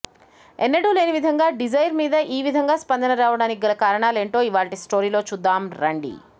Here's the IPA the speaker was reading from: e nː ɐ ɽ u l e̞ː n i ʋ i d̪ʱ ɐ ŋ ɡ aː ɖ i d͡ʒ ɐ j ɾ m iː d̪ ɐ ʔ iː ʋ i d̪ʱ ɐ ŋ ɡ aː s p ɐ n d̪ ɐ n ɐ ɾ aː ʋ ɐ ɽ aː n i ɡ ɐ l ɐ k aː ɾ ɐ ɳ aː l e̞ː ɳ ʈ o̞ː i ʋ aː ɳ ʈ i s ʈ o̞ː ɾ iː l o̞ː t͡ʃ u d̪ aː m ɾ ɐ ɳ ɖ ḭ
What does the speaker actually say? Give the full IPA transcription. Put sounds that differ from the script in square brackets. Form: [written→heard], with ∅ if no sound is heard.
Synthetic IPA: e nː ɐ ɽ u l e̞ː n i ʋ i d̪ʱ ɐ ŋ ɡ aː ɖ i d͡ʒ ɐ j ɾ m iː d̪ ɐ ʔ iː ʋ i d̪ʱ ɐ ŋ ɡ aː s p ɐ n d̪ ɐ n ɐ ɾ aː ʋ ɐ ɽ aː n i ɡ ɐ l ɐ k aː ɾ ɐ ɳ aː l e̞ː ɳ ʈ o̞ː i ʋ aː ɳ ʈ i s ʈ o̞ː ɾ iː l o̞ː t͡ʃ u [d̪→d̪ː] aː m ɾ ɐ ɳ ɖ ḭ